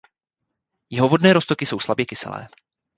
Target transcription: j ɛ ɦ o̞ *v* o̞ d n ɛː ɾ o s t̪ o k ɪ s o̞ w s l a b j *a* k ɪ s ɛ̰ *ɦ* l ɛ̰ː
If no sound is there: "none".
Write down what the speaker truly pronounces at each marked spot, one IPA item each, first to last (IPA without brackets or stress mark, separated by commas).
v, ɛ, none